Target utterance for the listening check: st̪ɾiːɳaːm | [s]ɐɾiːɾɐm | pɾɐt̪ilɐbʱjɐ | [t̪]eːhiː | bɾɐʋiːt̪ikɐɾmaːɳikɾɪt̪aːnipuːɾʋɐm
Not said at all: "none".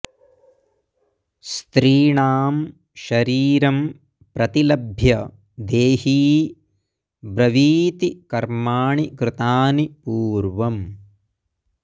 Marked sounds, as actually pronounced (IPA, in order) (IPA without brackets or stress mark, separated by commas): ʃ, d̪